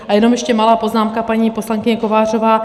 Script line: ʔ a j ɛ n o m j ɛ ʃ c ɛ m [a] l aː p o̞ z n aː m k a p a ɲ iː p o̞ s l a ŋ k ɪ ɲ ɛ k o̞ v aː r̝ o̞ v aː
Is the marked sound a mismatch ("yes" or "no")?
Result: no